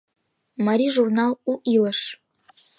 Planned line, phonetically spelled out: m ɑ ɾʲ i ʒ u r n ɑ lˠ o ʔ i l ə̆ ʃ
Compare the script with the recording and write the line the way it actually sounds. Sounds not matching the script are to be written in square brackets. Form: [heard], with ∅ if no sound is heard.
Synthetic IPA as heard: m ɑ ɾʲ i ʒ u r n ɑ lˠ [u] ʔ i l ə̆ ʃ